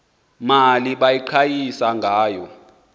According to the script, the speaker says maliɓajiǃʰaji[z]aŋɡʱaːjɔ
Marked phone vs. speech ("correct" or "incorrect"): incorrect